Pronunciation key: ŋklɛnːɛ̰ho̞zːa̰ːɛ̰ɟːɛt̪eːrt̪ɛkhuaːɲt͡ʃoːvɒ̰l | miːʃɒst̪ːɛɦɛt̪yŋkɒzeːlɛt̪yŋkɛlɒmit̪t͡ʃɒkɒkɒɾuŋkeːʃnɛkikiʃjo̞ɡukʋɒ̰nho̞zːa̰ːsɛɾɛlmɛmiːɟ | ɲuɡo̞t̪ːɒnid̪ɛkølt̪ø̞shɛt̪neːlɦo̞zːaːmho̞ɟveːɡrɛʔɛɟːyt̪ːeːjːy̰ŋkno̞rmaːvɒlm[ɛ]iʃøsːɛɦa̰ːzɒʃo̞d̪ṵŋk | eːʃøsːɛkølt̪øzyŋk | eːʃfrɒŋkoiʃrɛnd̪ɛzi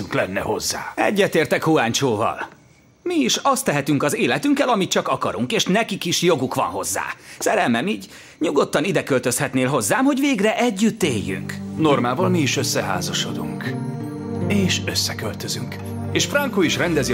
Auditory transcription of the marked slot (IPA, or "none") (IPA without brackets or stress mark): i